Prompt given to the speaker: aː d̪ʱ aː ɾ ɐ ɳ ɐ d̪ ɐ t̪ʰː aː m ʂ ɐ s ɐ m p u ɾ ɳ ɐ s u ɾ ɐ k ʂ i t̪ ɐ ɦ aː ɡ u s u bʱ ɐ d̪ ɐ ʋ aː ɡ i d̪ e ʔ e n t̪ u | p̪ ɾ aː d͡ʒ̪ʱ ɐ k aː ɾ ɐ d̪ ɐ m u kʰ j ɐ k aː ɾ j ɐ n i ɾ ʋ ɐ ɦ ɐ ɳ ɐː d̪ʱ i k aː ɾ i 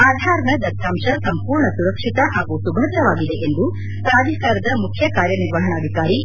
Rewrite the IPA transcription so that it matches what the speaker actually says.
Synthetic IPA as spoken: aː d̪ʱ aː ɾ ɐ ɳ ɐ d̪ ɐ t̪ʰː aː m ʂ ɐ s ɐ m p uː ɾ ɳ ɐ s u ɾ ɐ k ʂ i t̪ ɐ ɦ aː ɡ u s u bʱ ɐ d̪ ɐ ʋ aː ɡ i d̪ e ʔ e n d̪ u | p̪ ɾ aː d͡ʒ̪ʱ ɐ k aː ɾ ɐ d̪ ɐ m u kʰ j ɐ k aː ɾ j ɐ n i ɾ ʋ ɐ ɦ ɐ ɳ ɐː d̪ʱ i k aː ɾ i